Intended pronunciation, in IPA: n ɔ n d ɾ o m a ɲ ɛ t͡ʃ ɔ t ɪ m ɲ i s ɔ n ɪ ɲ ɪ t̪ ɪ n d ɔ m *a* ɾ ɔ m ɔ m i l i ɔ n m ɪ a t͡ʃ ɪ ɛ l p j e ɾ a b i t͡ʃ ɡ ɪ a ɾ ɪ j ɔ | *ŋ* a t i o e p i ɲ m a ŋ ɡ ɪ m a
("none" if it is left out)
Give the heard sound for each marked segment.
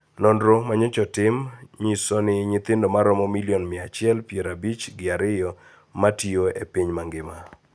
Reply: a, m

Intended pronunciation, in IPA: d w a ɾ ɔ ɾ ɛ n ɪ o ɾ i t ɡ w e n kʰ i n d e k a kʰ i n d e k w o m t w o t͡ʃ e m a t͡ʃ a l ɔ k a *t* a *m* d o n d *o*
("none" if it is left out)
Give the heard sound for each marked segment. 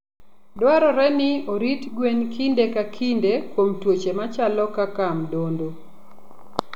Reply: k, m, o

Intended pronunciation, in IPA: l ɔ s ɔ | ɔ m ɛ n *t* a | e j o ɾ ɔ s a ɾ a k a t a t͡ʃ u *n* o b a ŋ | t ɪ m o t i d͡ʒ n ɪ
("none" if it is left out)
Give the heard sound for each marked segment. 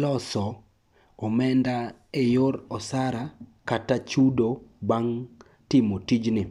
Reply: d, d

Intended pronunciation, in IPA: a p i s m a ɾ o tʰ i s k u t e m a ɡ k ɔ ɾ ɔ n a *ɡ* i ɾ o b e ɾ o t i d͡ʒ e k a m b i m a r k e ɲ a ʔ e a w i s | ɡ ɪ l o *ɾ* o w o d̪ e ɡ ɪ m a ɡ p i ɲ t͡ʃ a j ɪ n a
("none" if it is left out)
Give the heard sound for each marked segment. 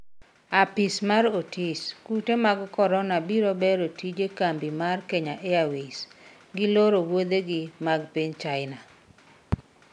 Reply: b, ɾ

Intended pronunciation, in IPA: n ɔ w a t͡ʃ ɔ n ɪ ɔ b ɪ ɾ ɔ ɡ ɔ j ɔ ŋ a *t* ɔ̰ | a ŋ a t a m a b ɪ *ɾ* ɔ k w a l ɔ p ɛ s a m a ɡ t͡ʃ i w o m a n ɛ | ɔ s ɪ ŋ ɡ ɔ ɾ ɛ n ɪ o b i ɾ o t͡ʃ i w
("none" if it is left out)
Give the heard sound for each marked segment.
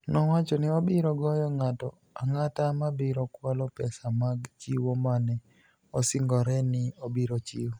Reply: t, ɾ

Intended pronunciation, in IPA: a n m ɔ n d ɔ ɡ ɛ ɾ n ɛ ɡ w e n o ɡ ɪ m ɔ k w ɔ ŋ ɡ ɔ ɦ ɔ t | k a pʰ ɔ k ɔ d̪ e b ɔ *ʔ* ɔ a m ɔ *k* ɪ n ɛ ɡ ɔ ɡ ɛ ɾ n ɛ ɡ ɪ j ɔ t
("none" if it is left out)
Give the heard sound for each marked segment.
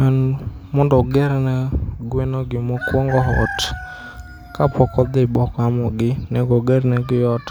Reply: k, ɡ

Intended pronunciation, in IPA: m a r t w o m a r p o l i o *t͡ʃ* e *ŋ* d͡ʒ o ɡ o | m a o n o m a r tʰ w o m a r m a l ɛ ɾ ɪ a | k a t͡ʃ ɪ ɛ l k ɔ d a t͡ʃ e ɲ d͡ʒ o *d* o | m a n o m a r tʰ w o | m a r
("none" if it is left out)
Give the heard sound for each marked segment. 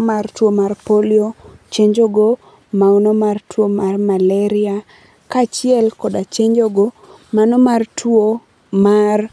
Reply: t͡ʃ, ɲ, ɡ

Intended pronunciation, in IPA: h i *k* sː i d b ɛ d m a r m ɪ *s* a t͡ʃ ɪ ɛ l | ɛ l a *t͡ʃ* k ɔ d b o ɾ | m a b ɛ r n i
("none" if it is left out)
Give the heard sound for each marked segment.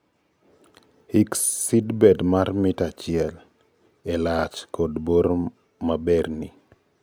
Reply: k, t, t͡ʃ

